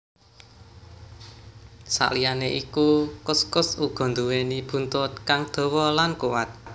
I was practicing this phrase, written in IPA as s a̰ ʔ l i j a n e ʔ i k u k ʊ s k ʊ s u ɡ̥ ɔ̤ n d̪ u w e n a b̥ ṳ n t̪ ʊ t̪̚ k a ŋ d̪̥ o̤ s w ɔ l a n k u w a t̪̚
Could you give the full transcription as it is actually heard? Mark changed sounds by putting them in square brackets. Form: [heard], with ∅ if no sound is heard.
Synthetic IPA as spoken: s a̰ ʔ l i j a n e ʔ i k u k ʊ s k ʊ s u ɡ̥ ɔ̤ n d̪ u w e n [i] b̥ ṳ n t̪ ʊ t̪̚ k a ŋ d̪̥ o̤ [∅] w ɔ l a n k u w a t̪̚